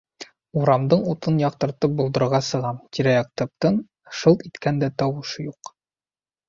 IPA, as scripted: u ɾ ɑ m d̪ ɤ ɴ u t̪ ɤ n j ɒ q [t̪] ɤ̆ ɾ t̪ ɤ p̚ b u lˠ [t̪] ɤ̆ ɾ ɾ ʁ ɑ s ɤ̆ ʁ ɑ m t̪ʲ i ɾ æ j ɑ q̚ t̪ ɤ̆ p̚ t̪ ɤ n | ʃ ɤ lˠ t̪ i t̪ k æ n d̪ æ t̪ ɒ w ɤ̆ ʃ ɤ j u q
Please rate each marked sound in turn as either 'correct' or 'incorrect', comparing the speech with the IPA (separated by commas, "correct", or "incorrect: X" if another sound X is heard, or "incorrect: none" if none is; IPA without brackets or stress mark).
correct, incorrect: d̪